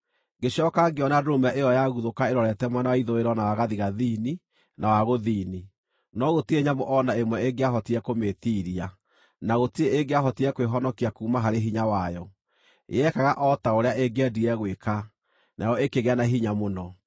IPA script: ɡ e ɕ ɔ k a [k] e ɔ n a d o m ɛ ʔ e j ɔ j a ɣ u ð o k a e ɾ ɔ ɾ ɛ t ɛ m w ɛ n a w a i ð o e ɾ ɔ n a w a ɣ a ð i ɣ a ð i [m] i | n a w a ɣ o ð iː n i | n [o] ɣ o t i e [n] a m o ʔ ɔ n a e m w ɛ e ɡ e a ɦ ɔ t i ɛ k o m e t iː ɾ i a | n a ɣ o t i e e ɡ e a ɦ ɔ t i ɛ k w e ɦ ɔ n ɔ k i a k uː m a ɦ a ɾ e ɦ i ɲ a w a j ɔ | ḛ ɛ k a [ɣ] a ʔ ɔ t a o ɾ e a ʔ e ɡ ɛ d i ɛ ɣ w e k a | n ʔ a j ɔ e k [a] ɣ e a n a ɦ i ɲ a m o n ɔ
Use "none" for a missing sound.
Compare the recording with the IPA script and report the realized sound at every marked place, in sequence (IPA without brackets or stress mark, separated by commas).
ɡ, n, ɔ, ɲ, ɣ, e